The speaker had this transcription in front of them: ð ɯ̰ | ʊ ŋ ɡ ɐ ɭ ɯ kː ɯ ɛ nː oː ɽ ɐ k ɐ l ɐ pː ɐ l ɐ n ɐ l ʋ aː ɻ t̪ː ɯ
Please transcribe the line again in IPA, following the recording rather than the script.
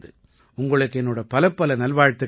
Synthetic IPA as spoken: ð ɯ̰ | ʊ ŋ ɡ ɐ ɭ ɯ kː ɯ ɛ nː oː ɽ ɐ p ɐ l ɐ pː ɐ l ɐ n ɐ l ʋ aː ɻ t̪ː ɯ

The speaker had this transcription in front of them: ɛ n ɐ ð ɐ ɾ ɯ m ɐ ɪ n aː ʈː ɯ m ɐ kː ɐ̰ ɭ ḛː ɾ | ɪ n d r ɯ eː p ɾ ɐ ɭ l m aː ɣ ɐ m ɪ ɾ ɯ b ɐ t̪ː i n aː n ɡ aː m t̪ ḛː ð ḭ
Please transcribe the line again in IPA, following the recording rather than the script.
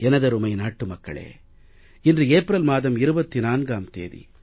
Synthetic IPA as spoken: ɛ n ɐ ð ɐ ɾ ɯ m ɐ ɪ n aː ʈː ɯ m ɐ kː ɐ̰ ɭ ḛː | ɪ n d r ɯ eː p ɾ ɐ l m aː ð ɐ m ɪ ɾ ɯ b ɐ t̪ː i n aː n ɡ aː m t̪ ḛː ð ḭ

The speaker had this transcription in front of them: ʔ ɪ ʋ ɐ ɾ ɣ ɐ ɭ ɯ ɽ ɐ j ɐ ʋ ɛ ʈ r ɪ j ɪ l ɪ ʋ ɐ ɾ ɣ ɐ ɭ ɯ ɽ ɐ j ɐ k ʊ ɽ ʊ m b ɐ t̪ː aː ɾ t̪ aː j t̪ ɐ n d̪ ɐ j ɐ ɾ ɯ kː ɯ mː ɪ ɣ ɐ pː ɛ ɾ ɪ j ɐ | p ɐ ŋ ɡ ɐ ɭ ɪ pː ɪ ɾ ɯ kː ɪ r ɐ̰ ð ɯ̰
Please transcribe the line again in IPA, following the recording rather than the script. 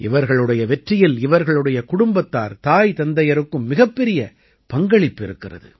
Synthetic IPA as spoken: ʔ ɪ ʋ ɐ ɾ ɣ ɐ ɭ ɯ ɽ ɐ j ɐ ʋ ɛ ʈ r ɪ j ɪ l ɪ ʋ ɐ ɾ ɣ ɐ ɭ ɯ ɽ ɐ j ɐ k ʊ ɽ ʊ m b ɐ t̪ː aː ɾ t̪ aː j t̪ ɐ n d̪ ɐ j ɐ ɾ ɯ kː ɯ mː ɪ ɣ ɐ pː ɛ ɾ ɪ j ɐ | p ɐ ŋ ɡ ɐ ɭ ɪ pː ɪ ɾ ɯ kː ɪ r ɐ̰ ð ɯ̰

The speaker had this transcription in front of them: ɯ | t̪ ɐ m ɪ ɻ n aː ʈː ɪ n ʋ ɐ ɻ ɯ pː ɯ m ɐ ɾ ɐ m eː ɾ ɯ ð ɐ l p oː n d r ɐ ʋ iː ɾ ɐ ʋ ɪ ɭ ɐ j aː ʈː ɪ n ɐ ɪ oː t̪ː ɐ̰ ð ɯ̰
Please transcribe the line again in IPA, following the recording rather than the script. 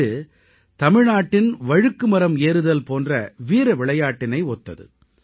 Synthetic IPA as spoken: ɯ | t̪ ɐ m ɪ ɻ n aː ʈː ɪ n ʋ ɐ ɻ ɯ kː ɯ m ɐ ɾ ɐ m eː ɾ ɯ ð ɐ l p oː n d r ɐ ʋ iː ɾ ɐ ʋ ɪ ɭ ɐ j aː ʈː ɪ n ɐ ɪ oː t̪ː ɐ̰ ð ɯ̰

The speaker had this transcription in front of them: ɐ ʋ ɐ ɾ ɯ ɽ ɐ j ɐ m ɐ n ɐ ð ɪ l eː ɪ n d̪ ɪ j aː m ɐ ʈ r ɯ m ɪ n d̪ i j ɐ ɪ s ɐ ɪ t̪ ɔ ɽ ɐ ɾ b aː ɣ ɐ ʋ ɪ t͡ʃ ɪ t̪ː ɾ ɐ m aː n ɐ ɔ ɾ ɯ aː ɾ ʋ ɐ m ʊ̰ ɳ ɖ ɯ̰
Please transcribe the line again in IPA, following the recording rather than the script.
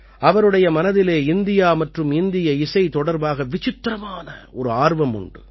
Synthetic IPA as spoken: ɐ ʋ ɐ ɾ ɯ ɽ ɐ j ɐ m ɐ n ɐ ð ɪ l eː ɪ n d̪ ɪ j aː m ɐ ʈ r ɯ m ɪ n d̪ ɪ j ɐ ɪ s ɐ ɪ t̪ ɔ ɽ ɐ ɾ b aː ɣ ɐ ʋ ɪ t͡ʃ ɪ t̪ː ɾ ɐ m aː n ɐ ɔ ɾ ɯ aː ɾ ʋ ɐ m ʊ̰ ɳ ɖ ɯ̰

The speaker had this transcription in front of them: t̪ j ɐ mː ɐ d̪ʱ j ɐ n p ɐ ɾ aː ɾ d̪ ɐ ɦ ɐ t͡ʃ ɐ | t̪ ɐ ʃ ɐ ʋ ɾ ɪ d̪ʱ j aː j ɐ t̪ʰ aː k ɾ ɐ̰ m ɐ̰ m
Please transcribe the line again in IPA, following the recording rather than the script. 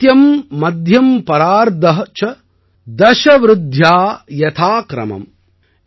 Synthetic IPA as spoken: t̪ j ɐ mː ɐ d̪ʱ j ɐ m p ɐ ɾ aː ɾ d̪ ɐ ɦ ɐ t͡ʃ ɐ | d̪ ɐ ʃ ɐ ʋ ɾ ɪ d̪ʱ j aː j ɐ t̪ʰ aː k ɾ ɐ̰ m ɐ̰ m

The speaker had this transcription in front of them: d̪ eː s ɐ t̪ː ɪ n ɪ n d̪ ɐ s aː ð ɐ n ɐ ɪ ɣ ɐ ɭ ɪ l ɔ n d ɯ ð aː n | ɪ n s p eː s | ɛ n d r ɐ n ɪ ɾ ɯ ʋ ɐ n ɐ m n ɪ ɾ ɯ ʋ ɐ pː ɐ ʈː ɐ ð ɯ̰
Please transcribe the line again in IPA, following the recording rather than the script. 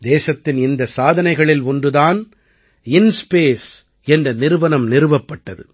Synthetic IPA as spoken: d̪ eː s ɐ t̪ː ɪ n ɪ n d̪ ɐ s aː ð ɐ n ɐ ɪ ɣ ɐ ɭ ɪ l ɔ n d ɯ ð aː n | ɪ n s p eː s | ɛ n d r ɐ n ɪ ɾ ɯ ʋ ɐ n ɐ m n ɪ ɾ ɯ ʋ ɐ pː ɐ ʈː ɐ ð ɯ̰

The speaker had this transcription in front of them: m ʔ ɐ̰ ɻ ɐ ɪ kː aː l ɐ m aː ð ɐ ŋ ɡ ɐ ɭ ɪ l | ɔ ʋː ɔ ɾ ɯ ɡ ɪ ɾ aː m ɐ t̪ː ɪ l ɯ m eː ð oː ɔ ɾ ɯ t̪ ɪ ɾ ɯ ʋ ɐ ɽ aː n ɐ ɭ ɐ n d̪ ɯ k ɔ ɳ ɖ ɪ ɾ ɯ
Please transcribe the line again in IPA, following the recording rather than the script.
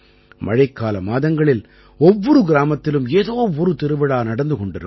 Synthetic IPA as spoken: m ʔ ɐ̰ ɻ ɐ ɪ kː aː l ɐ m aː ð ɐ ŋ ɡ ɐ ɭ ɪ l | ɔ ʋː ɔ ɾ ɯ ɡ ɪ ɾ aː m ɐ t̪ː ɪ l ɯ m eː ð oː ɔ ɾ ɯ t̪ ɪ ɾ ɯ ʋ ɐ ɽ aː n ɐ ɽ ɐ n d̪ ɯ k ɔ ɳ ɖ ɪ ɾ ɯ

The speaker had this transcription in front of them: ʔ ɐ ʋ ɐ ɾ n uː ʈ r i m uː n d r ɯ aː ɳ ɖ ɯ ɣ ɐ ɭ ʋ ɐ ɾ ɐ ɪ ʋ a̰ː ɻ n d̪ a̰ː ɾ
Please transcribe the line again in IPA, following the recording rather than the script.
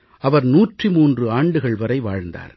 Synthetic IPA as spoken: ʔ ɐ ʋ ɐ ɾ n uː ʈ r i m uː n d r ɯ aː ɳ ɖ ɯ ɣ ɐ ɭ ʋ ɐ ɾ ɐ ɪ ʋ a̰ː ɻ n d̪ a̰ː ɾ

